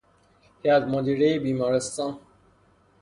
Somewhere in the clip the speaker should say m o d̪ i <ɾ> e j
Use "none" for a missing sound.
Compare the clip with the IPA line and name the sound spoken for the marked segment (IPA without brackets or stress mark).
ɾ